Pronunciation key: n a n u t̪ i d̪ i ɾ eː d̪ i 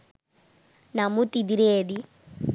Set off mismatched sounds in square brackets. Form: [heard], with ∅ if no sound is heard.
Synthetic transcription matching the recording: n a [m] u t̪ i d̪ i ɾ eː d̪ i